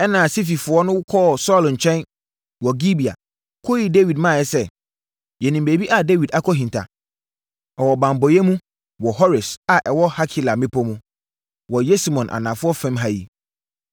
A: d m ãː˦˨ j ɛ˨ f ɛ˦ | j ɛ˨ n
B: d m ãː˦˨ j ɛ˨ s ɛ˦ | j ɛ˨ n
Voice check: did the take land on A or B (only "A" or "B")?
B